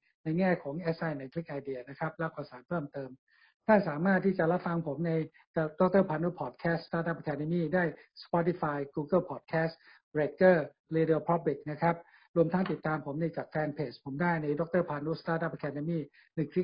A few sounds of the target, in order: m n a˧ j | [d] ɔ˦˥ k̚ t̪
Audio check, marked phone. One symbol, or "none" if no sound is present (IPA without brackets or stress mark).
d